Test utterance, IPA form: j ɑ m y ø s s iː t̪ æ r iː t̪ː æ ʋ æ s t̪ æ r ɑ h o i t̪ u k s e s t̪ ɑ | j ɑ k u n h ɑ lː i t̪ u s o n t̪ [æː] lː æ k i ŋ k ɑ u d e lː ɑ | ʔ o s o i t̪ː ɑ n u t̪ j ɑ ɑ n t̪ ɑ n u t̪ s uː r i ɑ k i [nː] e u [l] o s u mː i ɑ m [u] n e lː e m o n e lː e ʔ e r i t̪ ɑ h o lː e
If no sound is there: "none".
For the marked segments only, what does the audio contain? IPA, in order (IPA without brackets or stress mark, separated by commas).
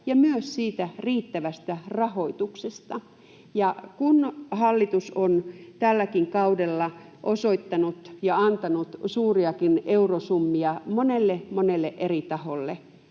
æ, n, r, o